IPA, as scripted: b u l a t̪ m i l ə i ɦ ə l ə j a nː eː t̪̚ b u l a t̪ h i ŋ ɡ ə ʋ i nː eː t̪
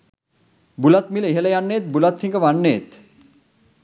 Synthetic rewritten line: b u l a t̪ m i l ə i ɦ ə l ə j a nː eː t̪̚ b u l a t̪ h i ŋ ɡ ə ʋ a nː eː t̪

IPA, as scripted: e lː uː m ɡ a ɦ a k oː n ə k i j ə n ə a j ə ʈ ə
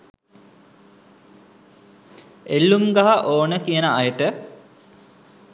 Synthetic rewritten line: e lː u m ɡ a ɦ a ʔ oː n ə k i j ə n ə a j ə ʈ ə

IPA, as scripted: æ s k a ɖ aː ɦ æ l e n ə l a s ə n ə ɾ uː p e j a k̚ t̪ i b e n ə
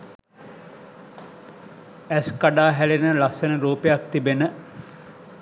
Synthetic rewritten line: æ s k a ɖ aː ɦ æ l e n ə l a s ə n ə ɾ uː p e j a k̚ t̪ i b e n ə

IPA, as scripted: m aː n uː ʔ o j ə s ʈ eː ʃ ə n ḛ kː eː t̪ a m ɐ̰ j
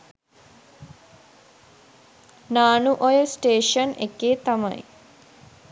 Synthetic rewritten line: n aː n u ʔ o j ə s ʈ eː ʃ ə n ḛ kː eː t̪ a m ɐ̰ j

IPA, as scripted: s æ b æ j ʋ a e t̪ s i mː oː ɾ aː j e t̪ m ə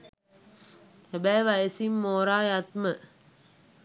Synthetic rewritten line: h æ b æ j ʋ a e s i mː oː ɾ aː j a t̪ m ə

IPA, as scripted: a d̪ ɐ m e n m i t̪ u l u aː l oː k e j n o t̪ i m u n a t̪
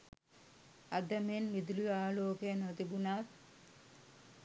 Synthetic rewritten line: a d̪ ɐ m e n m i d̪ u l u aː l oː k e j n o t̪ i b u n a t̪

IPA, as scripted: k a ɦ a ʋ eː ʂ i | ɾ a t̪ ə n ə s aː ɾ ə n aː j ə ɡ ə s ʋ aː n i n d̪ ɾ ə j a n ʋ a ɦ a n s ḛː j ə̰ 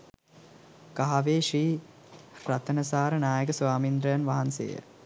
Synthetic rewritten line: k a ɦ a ʋ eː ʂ iː | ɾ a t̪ ə n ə s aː ɾ ə n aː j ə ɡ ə s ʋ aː m i n d̪ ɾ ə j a n ʋ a ɦ a n s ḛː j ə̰

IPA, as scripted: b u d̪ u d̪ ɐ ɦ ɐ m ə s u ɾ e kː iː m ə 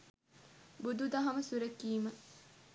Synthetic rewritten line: b u d̪ u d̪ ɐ ɦ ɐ m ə s u ɾ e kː iː m ə

